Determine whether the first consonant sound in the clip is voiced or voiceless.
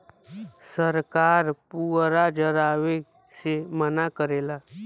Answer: voiceless